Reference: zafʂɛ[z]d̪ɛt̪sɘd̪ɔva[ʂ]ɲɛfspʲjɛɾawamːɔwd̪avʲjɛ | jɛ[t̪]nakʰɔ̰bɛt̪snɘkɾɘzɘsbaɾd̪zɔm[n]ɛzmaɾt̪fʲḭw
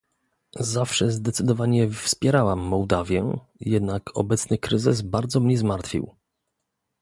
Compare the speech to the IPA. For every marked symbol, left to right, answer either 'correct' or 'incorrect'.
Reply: correct, incorrect: none, incorrect: d̪, incorrect: ɲ

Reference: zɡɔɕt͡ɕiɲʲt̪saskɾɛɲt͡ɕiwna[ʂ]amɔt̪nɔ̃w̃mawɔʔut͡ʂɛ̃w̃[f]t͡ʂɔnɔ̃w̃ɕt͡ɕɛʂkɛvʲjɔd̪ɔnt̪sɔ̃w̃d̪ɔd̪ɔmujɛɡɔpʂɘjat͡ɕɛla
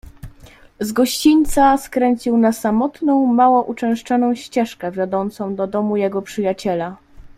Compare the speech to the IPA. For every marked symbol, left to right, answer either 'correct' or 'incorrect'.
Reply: incorrect: s, incorrect: ʂ

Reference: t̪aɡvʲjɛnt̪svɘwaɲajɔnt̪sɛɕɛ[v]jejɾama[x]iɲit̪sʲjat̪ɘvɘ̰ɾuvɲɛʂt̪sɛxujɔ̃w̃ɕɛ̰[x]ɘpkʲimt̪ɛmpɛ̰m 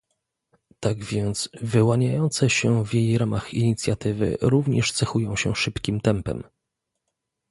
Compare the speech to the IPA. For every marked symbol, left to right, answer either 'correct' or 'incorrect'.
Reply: correct, correct, incorrect: ʂ

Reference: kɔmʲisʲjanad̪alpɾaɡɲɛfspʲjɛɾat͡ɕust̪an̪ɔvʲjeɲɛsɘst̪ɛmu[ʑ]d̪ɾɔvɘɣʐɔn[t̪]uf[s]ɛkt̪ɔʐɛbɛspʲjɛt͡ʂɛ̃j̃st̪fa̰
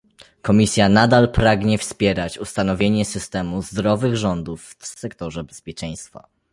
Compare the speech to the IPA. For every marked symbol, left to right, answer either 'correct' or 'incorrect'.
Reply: incorrect: z, incorrect: d̪, correct

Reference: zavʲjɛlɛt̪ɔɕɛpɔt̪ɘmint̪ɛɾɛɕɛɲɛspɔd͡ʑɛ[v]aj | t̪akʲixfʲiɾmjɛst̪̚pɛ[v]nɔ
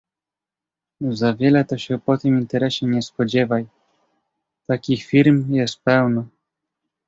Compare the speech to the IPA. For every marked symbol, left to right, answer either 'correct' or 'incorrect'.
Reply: correct, incorrect: w

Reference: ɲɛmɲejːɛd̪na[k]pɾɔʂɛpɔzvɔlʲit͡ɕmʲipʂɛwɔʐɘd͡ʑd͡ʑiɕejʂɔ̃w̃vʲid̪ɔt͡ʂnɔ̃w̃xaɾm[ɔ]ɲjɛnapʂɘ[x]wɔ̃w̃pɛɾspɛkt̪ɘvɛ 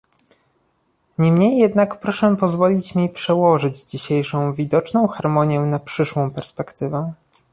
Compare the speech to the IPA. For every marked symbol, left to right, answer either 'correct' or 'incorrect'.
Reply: correct, correct, incorrect: ʂ

